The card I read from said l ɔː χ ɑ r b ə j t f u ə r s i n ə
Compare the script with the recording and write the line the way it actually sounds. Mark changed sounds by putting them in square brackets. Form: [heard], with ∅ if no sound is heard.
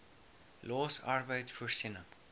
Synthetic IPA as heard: l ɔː [s] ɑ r b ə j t f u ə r s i n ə